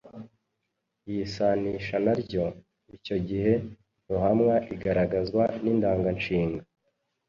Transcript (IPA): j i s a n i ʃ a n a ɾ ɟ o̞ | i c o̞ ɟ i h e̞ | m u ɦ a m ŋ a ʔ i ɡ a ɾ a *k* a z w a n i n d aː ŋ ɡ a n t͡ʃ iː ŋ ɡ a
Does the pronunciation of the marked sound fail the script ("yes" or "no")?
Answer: yes